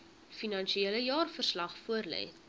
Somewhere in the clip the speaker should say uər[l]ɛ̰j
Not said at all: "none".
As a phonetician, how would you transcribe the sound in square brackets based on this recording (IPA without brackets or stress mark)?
l